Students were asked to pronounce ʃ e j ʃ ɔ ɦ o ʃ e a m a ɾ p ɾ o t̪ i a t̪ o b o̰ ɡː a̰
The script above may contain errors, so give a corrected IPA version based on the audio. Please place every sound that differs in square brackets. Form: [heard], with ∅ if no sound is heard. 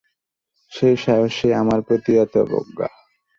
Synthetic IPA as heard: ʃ e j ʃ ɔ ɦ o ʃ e a m a ɾ p ɾ o t̪ i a t̪ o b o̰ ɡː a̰

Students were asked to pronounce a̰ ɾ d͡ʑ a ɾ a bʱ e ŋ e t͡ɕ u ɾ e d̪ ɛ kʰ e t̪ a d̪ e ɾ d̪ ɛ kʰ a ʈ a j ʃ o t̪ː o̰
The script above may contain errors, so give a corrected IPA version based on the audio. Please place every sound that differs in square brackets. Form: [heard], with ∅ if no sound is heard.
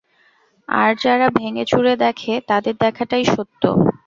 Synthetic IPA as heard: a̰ ɾ d͡ʑ a ɾ a bʱ e ŋ e t͡ɕ u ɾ e d̪ ɛ kʰ e t̪ a d̪ e ɾ d̪ ɛ kʰ a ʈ a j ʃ o t̪ː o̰

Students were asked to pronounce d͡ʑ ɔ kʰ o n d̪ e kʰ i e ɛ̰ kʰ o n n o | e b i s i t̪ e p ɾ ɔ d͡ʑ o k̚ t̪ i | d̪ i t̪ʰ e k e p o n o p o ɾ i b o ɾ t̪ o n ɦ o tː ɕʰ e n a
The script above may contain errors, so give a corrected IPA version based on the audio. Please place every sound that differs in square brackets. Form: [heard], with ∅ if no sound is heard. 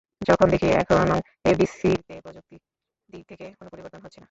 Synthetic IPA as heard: d͡ʑ ɔ kʰ o n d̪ e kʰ i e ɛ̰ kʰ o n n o | e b i s i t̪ e p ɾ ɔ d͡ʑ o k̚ t̪ i | d̪ i t̪ʰ e k e [k] o n o p o ɾ i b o ɾ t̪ o n ɦ o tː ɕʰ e n a

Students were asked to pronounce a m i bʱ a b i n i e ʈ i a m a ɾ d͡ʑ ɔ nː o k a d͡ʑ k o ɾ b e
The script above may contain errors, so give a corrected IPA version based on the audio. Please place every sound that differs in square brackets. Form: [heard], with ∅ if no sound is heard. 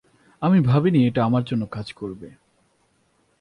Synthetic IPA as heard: a m i bʱ a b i n i e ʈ [a] a m a ɾ d͡ʑ [o] nː o k a d͡ʑ k o ɾ b e

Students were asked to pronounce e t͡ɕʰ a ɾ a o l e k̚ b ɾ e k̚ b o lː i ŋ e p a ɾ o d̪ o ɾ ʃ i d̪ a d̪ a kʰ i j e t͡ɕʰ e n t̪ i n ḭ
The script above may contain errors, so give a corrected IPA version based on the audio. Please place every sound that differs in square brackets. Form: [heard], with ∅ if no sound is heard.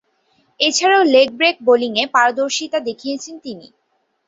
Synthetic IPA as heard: e t͡ɕʰ a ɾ a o l e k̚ b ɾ e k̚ b o [l] i ŋ e p a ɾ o d̪ o ɾ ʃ i [t̪] a d̪ [e] kʰ i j e t͡ɕʰ e n t̪ i n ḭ

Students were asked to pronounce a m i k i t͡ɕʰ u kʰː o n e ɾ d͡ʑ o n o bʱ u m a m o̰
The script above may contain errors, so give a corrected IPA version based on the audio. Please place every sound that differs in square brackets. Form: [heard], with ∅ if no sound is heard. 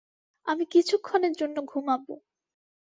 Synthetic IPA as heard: a m i k i t͡ɕʰ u kʰː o n e ɾ d͡ʑ o [nː] o [ɡʱ] u m a [b] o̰

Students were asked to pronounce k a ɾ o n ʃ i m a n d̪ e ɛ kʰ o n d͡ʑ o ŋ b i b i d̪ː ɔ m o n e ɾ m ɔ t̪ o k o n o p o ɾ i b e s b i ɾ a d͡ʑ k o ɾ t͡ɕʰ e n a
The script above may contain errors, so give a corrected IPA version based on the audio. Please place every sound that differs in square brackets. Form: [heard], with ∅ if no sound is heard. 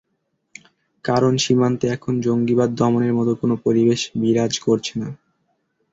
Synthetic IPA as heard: k a ɾ o n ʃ i m a n [t̪] e ɛ kʰ o n d͡ʑ o ŋ [ɡ] i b [a] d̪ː ɔ m o n e ɾ m ɔ t̪ o k o n o p o ɾ i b e [ʃ] b i ɾ a d͡ʑ k o ɾ t͡ɕʰ e n a

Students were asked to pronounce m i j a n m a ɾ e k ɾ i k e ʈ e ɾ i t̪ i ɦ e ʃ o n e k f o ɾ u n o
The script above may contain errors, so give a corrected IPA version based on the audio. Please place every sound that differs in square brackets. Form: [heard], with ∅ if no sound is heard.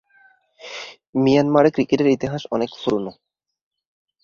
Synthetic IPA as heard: m i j a n m a ɾ e k ɾ i k e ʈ e ɾ i t̪ i ɦ [a] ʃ [ɔ] n e k f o ɾ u n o

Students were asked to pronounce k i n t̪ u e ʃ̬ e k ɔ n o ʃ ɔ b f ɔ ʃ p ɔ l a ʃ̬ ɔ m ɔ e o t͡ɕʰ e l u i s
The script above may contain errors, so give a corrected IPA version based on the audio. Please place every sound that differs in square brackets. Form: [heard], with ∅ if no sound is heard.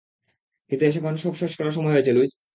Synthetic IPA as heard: k i n t̪ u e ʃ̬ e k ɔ n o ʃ ɔ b [ʃ] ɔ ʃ [k] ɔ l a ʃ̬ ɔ m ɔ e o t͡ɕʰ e l u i s

